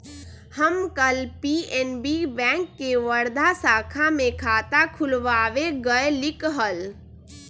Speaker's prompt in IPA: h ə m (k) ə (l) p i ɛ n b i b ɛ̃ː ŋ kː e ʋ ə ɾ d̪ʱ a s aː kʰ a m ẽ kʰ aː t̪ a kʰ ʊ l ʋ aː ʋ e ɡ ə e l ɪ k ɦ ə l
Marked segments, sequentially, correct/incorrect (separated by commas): correct, correct